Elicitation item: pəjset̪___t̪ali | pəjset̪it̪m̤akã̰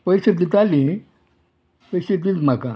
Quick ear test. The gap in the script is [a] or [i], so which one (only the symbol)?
i